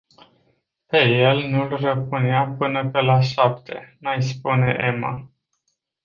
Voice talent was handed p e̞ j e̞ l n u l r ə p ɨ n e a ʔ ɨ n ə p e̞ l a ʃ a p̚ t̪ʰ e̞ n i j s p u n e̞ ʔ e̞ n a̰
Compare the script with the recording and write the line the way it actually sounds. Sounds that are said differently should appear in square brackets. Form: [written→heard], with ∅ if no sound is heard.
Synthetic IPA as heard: p e̞ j e̞ l n u l r ə p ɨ n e a [ʔ→p] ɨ n ə p e̞ l a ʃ a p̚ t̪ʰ e̞ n [i→a] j s p u n e̞ ʔ e̞ [n→m] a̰